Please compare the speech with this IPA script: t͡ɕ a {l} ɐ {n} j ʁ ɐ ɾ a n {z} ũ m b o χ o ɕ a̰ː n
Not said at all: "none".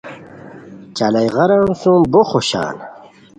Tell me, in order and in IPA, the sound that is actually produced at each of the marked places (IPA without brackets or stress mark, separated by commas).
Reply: l, none, s